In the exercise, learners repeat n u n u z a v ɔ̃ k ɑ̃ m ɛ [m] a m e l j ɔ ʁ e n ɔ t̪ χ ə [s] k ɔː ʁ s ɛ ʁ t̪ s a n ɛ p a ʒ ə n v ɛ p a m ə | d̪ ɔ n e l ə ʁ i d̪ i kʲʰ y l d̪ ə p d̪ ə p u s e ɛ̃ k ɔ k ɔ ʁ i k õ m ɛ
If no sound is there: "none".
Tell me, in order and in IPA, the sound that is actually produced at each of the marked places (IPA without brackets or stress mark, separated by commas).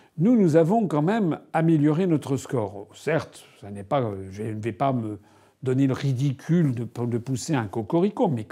m, s